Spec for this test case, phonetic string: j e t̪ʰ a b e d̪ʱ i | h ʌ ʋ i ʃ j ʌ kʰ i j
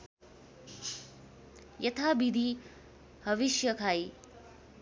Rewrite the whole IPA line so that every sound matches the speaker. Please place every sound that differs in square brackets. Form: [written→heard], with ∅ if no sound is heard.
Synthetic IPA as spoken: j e t̪ʰ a b [e→i] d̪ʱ i | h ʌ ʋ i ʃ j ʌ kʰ [i→a] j